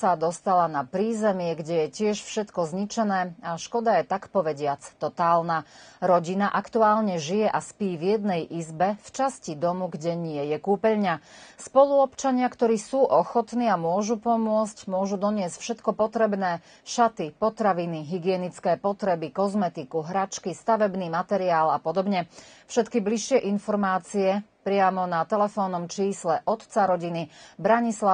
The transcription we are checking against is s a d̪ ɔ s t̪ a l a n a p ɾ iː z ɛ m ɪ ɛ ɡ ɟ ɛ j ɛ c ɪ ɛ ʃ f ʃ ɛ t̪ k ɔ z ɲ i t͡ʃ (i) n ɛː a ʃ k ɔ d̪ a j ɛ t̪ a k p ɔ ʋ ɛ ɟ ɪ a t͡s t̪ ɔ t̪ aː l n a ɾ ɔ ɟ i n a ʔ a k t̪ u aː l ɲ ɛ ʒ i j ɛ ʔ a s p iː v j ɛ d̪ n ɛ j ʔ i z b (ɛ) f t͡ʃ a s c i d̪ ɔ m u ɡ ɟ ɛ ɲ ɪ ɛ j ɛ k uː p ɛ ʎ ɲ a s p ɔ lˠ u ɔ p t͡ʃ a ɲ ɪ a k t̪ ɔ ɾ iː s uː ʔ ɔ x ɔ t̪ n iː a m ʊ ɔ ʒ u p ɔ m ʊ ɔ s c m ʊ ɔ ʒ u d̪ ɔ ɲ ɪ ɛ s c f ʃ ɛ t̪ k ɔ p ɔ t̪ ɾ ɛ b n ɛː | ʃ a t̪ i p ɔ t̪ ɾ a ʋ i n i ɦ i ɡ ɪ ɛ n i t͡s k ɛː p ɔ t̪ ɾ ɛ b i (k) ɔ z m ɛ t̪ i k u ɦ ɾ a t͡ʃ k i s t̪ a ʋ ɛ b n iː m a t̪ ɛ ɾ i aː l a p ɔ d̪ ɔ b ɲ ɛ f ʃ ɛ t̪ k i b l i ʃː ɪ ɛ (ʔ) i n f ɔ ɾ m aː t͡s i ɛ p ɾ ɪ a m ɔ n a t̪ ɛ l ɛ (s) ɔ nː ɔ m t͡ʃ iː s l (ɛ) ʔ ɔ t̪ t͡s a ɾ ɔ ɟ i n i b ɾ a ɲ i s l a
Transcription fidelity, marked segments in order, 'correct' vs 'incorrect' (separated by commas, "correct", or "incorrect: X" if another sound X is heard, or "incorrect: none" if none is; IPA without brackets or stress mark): incorrect: ɛ, correct, correct, correct, incorrect: f, correct